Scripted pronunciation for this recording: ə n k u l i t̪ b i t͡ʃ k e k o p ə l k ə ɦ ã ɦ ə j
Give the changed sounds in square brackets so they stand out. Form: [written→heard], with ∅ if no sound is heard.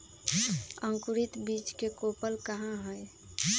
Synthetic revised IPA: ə [n→ŋ] k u [l→ɾ] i t̪ b i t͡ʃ k e k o p ə l k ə ɦ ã ɦ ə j

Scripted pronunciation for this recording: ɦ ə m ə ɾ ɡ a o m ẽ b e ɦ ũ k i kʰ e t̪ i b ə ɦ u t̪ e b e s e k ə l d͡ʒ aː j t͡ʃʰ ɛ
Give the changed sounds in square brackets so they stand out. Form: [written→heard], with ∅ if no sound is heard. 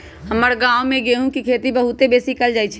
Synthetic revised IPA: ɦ ə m ə ɾ ɡ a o m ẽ [b→ɡ] e ɦ ũ k i kʰ e t̪ i b ə ɦ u t̪ e b e s [e→i] k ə l d͡ʒ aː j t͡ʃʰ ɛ

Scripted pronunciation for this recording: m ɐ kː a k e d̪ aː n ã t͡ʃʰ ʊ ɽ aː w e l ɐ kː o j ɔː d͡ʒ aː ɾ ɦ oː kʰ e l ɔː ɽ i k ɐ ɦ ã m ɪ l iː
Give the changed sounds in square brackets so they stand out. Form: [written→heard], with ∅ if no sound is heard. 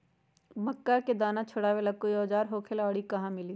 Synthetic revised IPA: m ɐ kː a k e d̪ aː n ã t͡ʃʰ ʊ ɽ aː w e l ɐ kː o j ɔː d͡ʒ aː ɾ ɦ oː kʰ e l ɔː ɽ i k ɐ ɦ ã m ɪ l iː

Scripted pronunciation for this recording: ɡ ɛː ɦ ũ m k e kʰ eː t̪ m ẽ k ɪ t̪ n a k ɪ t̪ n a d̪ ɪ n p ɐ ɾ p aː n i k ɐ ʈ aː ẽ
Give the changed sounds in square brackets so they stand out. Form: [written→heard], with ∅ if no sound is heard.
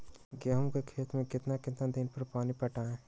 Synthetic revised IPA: ɡ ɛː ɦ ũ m k e kʰ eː t̪ m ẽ k ɪ t̪ n a k ɪ t̪ n a d̪ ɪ n p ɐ ɾ p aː n i [k→p] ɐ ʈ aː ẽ

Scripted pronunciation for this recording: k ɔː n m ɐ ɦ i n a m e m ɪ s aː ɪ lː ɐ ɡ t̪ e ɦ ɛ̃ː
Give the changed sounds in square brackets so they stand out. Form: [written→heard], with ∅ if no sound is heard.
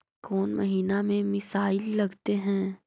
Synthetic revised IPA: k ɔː n m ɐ ɦ [i→iː] n a m [e→ẽ] m ɪ s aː ɪ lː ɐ ɡ t̪ e ɦ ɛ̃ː

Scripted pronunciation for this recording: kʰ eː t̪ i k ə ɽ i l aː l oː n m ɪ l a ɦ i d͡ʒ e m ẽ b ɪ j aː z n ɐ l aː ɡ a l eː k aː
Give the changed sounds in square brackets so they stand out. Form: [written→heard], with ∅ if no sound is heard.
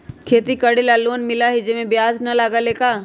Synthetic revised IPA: kʰ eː t̪ i k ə ɽ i l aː l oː n m ɪ l a ɦ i d͡ʒ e m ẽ b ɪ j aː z n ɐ l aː ɡ a l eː k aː

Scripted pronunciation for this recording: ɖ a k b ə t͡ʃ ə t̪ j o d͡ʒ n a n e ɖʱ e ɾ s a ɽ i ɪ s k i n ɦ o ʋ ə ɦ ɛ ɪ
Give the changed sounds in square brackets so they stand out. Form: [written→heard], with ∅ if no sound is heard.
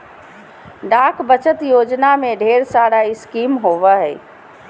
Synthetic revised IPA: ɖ a k b ə t͡ʃ ə t̪ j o d͡ʒ n a [n→m] e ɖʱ e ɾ s a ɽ [i→a] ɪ s k i [n→m] ɦ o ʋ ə ɦ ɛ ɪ

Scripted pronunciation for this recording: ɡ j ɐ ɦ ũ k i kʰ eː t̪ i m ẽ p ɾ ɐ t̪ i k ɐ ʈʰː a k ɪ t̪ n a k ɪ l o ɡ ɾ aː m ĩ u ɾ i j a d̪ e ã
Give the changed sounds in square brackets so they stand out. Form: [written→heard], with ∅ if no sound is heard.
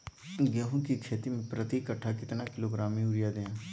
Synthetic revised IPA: ɡ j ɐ ɦ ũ k i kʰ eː t̪ i m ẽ p ɾ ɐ t̪ i k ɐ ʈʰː a k ɪ t̪ n a k ɪ l o ɡ ɾ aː m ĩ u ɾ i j a d̪ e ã

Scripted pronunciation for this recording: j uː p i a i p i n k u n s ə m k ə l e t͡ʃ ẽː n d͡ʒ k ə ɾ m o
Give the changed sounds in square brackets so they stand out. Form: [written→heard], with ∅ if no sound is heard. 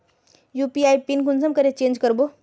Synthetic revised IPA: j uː p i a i p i n k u n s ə m k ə [l→ɾ] e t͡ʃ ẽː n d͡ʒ k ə ɾ [m→b] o

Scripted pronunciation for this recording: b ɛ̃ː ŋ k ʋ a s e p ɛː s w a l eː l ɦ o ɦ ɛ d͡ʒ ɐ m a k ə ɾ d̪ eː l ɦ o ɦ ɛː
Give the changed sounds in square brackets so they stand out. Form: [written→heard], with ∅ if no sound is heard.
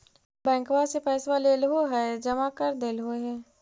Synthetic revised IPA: b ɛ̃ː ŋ k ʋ a s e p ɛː s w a l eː l ɦ o ɦ ɛ d͡ʒ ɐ m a k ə ɾ d̪ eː l ɦ o ɦ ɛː

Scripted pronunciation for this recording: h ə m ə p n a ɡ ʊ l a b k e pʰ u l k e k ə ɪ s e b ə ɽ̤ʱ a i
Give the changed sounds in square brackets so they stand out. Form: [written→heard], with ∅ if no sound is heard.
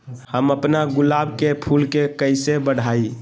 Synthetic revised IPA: h ə m ə p n a ɡ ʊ l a b k e pʰ u l k e k ə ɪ s e b ə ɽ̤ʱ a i

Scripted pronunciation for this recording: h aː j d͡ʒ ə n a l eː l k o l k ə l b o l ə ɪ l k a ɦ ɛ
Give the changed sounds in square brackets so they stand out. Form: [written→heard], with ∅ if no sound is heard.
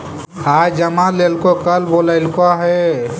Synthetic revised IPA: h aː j d͡ʒ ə [n→m] a l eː l k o [l→∅] k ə l b o l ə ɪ l k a ɦ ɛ

